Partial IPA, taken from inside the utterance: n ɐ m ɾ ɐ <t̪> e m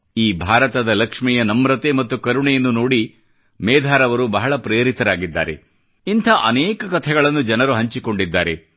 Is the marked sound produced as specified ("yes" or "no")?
yes